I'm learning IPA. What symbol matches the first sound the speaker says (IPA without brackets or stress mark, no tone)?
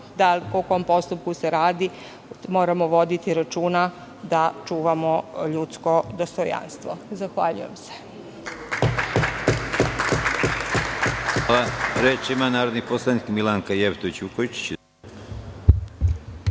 d̪